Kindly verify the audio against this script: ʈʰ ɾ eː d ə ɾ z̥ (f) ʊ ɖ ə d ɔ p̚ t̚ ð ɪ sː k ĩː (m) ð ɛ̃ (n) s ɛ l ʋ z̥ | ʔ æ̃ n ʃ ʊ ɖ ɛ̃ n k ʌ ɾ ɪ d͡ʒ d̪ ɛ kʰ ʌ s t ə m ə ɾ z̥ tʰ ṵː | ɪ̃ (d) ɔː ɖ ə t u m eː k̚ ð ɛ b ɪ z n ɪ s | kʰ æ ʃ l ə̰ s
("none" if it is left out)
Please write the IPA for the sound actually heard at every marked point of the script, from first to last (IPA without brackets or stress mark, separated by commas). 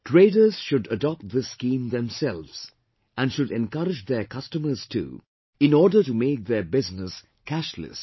ʃ, m, m, n